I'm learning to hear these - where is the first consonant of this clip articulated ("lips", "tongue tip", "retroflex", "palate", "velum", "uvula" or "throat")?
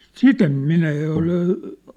tongue tip